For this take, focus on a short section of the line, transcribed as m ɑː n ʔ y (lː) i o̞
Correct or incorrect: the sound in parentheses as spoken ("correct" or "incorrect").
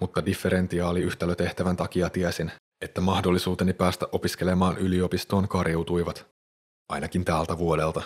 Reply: incorrect